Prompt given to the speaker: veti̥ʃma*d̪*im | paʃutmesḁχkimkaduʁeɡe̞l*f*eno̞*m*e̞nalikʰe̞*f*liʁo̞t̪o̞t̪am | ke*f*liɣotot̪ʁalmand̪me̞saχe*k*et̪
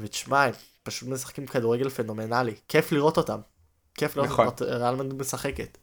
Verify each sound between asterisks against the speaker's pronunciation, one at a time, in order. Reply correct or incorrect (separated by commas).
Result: incorrect, correct, correct, correct, correct, correct